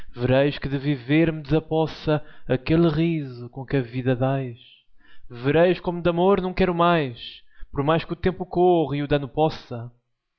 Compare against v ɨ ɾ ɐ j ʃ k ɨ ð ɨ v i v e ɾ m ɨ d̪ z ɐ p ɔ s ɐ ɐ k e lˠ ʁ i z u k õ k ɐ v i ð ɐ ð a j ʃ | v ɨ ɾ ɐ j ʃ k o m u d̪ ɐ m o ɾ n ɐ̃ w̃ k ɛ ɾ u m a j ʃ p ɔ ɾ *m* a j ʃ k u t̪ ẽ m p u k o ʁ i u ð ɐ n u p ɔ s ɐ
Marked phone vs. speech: correct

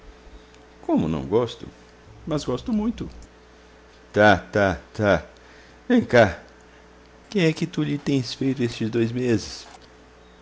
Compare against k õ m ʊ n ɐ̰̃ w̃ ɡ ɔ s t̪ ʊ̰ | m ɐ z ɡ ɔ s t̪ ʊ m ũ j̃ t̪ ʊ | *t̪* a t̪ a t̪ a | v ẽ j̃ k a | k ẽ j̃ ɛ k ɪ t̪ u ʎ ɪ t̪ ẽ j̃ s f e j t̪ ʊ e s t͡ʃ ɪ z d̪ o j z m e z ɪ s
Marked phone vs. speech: correct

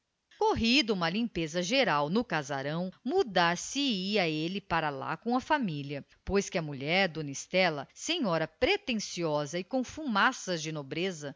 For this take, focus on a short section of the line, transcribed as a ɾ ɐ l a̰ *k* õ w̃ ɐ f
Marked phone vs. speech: correct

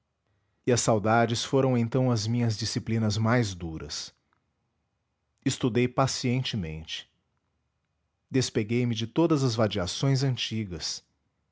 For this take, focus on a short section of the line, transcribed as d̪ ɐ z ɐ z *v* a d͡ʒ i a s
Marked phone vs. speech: correct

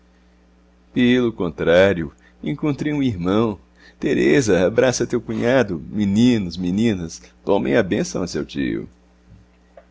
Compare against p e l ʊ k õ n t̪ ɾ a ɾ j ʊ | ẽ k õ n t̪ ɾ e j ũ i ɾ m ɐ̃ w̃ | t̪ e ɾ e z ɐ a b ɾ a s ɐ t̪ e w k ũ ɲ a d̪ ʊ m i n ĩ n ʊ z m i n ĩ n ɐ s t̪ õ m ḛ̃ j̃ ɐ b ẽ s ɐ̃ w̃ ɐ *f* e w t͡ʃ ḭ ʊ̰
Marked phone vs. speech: incorrect: s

